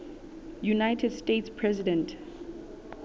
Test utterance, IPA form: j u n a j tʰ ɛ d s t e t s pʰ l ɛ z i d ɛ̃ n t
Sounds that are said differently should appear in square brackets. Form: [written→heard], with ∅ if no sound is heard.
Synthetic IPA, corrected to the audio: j u n a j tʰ ɛ d s t e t s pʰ [l→ɹ] ɛ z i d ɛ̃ n t

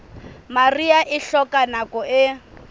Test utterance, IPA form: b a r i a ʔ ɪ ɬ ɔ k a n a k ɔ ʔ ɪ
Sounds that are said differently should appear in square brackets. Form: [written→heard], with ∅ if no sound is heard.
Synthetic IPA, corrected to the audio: [b→m] a r i a ʔ ɪ ɬ ɔ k a n a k ɔ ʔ ɪ

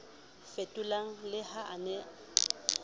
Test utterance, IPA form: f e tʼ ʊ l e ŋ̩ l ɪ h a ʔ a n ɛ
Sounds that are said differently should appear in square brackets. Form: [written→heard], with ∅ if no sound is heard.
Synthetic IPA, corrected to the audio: f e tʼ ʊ l [e→a] ŋ̩ l ɪ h a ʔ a n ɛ

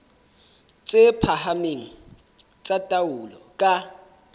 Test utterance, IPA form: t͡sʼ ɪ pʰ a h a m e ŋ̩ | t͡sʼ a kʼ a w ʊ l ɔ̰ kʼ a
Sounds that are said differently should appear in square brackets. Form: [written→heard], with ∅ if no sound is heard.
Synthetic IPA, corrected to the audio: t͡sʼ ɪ pʰ a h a m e ŋ̩ | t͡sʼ a [kʼ→tʼ] a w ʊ l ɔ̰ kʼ a

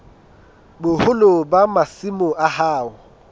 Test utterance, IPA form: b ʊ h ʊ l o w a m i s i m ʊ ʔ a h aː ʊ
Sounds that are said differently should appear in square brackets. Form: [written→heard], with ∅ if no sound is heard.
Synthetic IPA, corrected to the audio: b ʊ h ʊ l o [w→b] a m [i→a] s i m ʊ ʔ a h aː ʊ

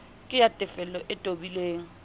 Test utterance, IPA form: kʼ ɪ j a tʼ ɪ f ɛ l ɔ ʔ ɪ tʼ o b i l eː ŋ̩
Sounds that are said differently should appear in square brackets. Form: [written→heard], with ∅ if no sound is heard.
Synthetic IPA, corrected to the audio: kʼ ɪ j a tʼ ɪ f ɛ l ɔ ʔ ɪ tʼ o b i l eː ŋ̩

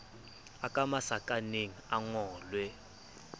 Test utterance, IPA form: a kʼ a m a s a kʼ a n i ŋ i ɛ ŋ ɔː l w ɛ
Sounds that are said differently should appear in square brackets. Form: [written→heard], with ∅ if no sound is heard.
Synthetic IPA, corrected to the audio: a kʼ a m a s a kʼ a n [i→e] ŋ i [ɛ→a] ŋ ɔː l w ɛ

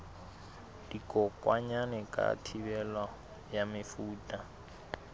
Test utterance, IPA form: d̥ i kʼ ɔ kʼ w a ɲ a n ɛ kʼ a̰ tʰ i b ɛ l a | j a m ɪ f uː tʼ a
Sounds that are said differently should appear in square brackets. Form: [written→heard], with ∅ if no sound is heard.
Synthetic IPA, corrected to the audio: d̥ i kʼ ɔ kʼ w a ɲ a n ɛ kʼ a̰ tʰ i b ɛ l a | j a m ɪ f uː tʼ a

